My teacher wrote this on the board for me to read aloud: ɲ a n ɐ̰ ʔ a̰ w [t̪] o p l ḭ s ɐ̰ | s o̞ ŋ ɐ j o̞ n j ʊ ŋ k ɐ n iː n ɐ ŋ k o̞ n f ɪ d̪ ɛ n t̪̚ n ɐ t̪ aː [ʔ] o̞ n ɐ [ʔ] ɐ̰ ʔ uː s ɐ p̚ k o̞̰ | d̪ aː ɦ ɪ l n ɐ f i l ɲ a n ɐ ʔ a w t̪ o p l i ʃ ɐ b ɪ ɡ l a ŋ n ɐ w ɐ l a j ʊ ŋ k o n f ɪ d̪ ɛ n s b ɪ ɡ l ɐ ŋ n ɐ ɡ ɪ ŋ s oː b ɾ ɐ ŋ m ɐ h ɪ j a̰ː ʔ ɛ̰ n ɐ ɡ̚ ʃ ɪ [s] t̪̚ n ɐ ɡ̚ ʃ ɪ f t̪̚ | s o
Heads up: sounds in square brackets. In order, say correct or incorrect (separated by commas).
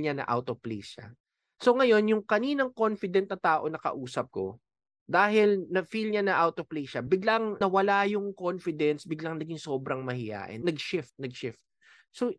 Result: correct, correct, incorrect, incorrect